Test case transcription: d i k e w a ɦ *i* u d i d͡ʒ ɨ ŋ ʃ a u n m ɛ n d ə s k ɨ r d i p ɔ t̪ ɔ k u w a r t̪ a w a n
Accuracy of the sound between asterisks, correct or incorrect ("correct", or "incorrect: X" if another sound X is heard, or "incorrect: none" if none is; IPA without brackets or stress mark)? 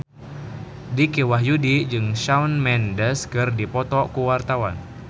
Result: incorrect: j